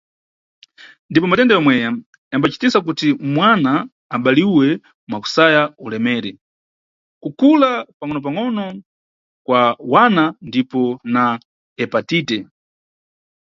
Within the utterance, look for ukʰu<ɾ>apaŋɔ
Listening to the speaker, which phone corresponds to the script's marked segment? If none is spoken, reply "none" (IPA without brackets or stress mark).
l